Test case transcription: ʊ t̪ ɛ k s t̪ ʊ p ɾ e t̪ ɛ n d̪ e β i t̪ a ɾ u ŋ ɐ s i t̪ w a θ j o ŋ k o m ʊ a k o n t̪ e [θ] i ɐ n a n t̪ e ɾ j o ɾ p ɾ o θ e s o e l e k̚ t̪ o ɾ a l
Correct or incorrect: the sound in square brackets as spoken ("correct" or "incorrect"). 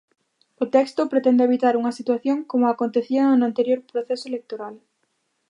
correct